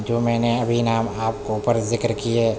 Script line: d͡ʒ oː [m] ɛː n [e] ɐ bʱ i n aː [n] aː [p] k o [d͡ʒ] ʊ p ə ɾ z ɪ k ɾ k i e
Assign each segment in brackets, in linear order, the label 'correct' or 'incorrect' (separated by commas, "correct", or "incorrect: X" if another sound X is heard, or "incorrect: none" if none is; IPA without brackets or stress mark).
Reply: correct, correct, incorrect: m, correct, incorrect: none